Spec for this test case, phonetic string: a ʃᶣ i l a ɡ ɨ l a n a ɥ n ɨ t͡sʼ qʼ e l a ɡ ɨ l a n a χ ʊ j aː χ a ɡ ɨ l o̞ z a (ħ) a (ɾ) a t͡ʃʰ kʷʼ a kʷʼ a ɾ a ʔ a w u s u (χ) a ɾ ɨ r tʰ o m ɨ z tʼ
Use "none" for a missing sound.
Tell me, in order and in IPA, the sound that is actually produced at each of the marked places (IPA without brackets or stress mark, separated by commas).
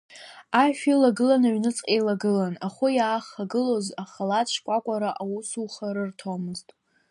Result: χ, l, χ